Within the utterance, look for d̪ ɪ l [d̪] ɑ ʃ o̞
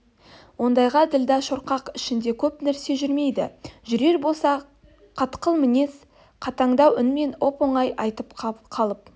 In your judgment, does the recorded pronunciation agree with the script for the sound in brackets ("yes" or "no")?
yes